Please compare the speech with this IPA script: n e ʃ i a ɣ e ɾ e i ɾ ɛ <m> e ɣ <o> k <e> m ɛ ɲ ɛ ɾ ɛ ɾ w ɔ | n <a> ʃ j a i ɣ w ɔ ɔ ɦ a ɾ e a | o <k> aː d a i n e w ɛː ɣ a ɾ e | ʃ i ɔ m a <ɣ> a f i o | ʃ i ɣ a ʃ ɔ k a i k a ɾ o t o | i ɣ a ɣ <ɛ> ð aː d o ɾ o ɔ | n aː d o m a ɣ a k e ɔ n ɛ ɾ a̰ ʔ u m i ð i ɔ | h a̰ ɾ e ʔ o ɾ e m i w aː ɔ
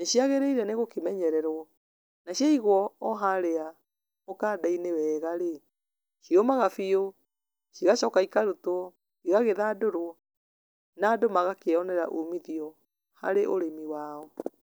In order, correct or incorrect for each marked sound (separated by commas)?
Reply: incorrect, correct, correct, correct, correct, correct, incorrect